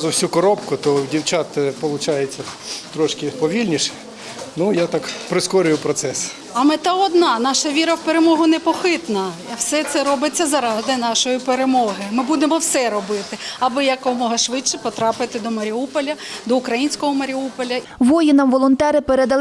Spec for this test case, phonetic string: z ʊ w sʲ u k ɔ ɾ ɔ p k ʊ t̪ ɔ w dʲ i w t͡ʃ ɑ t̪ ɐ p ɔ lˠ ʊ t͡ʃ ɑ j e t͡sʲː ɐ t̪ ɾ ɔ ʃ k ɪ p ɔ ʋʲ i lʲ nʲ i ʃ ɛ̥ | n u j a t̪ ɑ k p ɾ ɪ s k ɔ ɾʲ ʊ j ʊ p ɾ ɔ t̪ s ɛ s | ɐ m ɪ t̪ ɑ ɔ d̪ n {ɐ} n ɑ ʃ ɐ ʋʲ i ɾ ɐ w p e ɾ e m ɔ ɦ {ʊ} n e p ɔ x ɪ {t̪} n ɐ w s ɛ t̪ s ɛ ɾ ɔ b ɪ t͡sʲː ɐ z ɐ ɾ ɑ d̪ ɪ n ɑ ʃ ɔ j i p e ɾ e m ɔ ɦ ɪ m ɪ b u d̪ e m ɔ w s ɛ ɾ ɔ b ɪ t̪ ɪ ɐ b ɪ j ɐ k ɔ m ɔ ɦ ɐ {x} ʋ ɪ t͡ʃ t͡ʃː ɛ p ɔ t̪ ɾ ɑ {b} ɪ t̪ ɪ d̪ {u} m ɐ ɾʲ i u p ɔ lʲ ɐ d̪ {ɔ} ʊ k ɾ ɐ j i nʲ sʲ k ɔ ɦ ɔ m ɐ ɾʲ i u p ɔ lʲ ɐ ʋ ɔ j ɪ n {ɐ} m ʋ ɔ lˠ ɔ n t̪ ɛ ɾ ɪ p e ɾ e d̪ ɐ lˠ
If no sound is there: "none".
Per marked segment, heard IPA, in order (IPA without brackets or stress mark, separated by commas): ɑ, ʊ, t̪, ʃ, p, ɔ, ɔ, ɐ